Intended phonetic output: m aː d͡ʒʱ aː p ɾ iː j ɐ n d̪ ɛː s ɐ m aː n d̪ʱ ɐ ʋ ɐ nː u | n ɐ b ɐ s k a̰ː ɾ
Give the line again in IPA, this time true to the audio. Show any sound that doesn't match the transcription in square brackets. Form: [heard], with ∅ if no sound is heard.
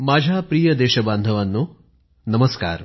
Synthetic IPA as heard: m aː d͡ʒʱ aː p ɾ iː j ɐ [∅] d̪ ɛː [ʃ] ɐ [b] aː n d̪ʱ ɐ ʋ ɐ nː u | n ɐ [m] ɐ s k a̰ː ɾ